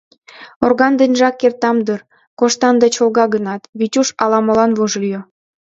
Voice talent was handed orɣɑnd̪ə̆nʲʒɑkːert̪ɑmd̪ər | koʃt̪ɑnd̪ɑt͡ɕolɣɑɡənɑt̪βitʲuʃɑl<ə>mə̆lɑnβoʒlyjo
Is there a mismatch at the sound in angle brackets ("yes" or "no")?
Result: yes